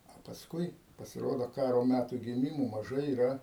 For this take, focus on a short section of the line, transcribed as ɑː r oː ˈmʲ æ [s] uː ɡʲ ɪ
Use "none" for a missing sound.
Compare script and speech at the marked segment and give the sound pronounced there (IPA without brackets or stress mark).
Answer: t